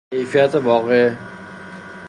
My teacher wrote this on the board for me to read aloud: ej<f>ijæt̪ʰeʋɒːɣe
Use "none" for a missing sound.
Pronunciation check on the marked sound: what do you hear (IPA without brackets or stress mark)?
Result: f